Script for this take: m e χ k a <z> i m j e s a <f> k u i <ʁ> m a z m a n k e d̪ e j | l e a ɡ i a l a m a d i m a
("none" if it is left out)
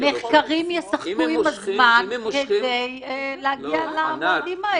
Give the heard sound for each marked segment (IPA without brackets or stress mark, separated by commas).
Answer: ʁ, χ, none